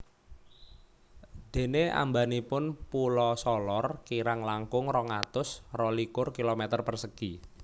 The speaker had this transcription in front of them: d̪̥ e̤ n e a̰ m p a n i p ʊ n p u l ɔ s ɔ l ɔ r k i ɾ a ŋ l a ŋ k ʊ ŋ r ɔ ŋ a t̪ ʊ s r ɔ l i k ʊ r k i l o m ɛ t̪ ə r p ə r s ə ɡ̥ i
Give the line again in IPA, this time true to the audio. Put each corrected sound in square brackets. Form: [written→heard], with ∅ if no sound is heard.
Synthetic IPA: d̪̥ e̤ n e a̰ m [p→b] a n i p ʊ n p u l ɔ s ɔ l ɔ r k i ɾ a ŋ l a ŋ k ʊ ŋ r ɔ ŋ a t̪ ʊ s r ɔ l i k ʊ r k i l o m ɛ t̪ ə r p ə r s ə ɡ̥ i